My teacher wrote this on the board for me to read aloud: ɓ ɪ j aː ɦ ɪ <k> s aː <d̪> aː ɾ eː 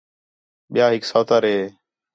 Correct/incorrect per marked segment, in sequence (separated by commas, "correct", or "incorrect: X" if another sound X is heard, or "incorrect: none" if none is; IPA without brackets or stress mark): correct, incorrect: t̪